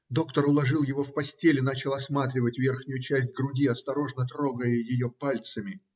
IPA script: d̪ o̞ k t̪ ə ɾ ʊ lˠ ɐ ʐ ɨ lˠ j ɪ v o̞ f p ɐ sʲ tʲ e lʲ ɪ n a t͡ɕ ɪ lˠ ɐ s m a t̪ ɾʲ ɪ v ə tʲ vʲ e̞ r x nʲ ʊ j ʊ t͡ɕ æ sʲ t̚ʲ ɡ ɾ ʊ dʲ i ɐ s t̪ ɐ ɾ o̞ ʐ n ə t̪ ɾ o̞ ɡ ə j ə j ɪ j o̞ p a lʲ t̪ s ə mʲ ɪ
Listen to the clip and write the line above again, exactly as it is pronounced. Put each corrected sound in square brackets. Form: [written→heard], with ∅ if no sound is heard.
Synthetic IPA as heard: d̪ o̞ k t̪ ə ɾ ʊ lˠ ɐ ʐ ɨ lˠ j ɪ v o̞ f p ɐ sʲ tʲ e lʲ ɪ n a t͡ɕ ɪ lˠ ɐ s m a t̪ ɾʲ ɪ v ə tʲ vʲ e̞ r x nʲ ʊ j ʊ t͡ɕ æ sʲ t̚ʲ ɡ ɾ ʊ dʲ i ɐ s t̪ ɐ ɾ o̞ ʐ n ə t̪ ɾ o̞ ɡ ə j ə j ɪ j o̞ p a lʲ t̪ s ə mʲ ɪ

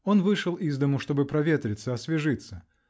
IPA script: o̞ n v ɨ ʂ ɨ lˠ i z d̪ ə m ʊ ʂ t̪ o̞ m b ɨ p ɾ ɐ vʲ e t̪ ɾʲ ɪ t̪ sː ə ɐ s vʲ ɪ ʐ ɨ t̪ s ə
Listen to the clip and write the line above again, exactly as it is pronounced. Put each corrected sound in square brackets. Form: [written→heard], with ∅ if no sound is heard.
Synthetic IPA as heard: o̞ n v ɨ ʂ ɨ lˠ i z d̪ ə m ʊ ʂ t̪ o̞ [m→∅] b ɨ p ɾ ɐ vʲ e t̪ ɾʲ ɪ t̪ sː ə ɐ s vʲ ɪ ʐ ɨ t̪ s ə

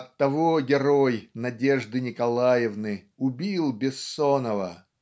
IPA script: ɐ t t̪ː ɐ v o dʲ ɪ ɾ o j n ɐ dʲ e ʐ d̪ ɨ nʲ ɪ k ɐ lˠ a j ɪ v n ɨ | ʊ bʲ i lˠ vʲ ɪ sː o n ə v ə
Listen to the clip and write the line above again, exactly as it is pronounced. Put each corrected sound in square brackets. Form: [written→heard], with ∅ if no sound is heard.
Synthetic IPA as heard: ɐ t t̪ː ɐ v o [dʲ→ɡʲ] ɪ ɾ o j n ɐ dʲ e ʐ d̪ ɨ nʲ ɪ k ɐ lˠ a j ɪ v n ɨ | ʊ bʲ i lˠ [vʲ→bʲ] ɪ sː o n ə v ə

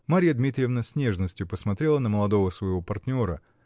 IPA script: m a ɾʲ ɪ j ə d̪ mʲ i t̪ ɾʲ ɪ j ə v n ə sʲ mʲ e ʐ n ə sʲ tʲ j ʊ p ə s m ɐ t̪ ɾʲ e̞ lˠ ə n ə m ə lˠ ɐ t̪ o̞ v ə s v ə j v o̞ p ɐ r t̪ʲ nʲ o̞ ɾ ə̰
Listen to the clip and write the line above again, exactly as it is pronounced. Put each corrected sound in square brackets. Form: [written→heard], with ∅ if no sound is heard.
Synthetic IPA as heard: m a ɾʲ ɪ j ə d̪ mʲ i t̪ ɾʲ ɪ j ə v n ə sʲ [mʲ→nʲ] e ʐ n ə sʲ tʲ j ʊ p ə s m ɐ t̪ ɾʲ e̞ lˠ ə n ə m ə lˠ ɐ [t̪→d̪] o̞ v ə s v ə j v o̞ p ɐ r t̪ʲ nʲ o̞ ɾ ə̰

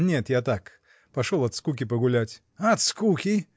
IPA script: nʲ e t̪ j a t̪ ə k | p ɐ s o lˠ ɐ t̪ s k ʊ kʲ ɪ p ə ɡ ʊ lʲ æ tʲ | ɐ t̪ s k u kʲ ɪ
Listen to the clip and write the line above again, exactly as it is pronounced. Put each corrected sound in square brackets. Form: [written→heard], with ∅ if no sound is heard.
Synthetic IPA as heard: nʲ e t̪ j a t̪ [ə→a] k | p ɐ [s→ʂ] o lˠ ɐ t̪ s k [ʊ→u] kʲ ɪ p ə ɡ ʊ lʲ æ tʲ | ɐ t̪ s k u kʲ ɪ

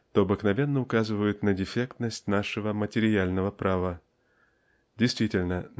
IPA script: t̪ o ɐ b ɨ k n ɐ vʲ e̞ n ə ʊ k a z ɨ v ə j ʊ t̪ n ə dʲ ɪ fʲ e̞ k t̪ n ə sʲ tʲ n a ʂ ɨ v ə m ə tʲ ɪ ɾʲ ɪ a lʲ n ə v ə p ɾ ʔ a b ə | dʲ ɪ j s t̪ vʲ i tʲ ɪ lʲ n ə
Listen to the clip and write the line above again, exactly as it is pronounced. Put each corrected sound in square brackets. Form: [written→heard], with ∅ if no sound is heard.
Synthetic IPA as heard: t̪ o ɐ b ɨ k n ɐ vʲ e̞ [n→nː] ə ʊ k a z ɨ v ə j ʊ t̪ n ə dʲ ɪ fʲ e̞ k t̪ n ə sʲ tʲ n a ʂ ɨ v ə m ə tʲ ɪ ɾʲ ɪ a lʲ n ə v ə p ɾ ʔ a [b→v] ə | dʲ ɪ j s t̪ vʲ i tʲ ɪ lʲ n ə

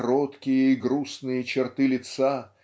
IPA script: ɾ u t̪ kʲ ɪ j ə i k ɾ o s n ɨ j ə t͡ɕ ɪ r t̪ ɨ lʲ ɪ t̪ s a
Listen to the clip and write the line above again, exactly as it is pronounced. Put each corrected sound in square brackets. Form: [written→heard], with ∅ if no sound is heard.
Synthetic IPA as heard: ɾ [u→o] t̪ kʲ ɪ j ə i [k→ɡ] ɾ [o→u] s n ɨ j ə t͡ɕ ɪ r t̪ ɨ lʲ ɪ t̪ s a

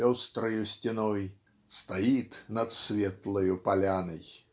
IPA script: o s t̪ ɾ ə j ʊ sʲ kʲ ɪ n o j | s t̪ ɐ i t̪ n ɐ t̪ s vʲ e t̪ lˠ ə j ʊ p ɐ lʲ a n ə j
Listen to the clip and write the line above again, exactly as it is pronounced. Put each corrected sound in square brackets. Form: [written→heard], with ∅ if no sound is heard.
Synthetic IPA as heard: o s t̪ ɾ ə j ʊ sʲ [kʲ→tʲ] ɪ n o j | s t̪ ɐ i t̪ n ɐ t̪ s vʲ e t̪ lˠ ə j ʊ p ɐ lʲ a n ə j

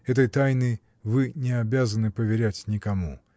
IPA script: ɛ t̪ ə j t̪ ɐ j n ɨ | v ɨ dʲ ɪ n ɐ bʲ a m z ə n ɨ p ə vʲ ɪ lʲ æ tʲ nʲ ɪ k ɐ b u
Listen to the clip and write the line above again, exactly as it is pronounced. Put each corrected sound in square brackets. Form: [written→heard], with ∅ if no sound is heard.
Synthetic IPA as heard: ɛ t̪ ə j t̪ [ɐ→a] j n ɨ | v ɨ [dʲ→nʲ] ɪ [n→∅] ɐ bʲ a [m→∅] z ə n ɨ p ə vʲ ɪ [lʲ→ɾʲ] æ tʲ nʲ ɪ k ɐ [b→m] u

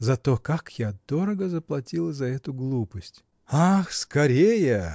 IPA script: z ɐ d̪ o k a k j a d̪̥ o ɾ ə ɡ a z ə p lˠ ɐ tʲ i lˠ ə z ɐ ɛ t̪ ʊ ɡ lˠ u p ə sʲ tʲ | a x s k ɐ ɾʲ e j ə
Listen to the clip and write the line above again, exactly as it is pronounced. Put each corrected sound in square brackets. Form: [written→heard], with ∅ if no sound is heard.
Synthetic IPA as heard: z ɐ [d̪→t̪] o k a k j a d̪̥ o ɾ ə ɡ [a→ə] z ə p lˠ ɐ tʲ i lˠ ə z ɐ ɛ t̪ ʊ ɡ lˠ u p ə sʲ tʲ | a x s k ɐ ɾʲ e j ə

